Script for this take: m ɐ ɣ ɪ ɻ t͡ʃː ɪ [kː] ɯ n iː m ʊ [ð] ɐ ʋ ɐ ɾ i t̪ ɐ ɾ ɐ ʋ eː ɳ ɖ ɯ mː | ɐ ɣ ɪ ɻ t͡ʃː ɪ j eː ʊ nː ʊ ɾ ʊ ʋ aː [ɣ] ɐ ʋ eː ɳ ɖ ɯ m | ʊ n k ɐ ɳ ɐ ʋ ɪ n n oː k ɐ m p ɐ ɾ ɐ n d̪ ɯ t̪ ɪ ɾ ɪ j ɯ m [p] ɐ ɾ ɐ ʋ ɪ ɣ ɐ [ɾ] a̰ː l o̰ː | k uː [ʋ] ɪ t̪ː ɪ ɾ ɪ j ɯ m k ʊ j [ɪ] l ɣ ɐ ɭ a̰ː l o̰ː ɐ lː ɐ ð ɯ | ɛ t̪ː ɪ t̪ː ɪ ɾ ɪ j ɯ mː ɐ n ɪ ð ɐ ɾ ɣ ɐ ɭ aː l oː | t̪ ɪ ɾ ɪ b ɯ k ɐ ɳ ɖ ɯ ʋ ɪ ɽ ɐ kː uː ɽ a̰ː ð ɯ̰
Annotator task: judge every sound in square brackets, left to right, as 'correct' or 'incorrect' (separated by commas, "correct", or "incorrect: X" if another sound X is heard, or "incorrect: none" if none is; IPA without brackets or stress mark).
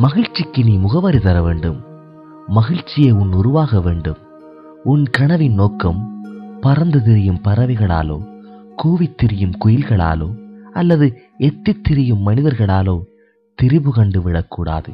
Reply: correct, incorrect: ɣ, correct, correct, incorrect: ɭ, correct, correct